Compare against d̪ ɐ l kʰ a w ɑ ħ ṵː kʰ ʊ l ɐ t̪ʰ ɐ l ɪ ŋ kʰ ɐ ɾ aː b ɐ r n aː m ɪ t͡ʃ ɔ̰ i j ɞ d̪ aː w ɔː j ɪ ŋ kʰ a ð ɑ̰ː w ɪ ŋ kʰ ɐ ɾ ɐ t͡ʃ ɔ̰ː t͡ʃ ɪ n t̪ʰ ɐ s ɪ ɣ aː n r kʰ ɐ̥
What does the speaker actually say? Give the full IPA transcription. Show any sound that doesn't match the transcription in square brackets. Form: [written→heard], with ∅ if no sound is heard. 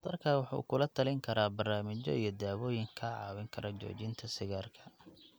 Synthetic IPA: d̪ ɐ [l→r] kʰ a w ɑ ħ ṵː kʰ ʊ l ɐ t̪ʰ ɐ l ɪ ŋ kʰ ɐ ɾ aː b ɐ r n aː m ɪ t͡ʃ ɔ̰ i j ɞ d̪ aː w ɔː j ɪ ŋ kʰ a [ð→ʕ] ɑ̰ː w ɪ ŋ kʰ ɐ ɾ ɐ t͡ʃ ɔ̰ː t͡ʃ ɪ n t̪ʰ ɐ s ɪ ɣ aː [n→∅] r kʰ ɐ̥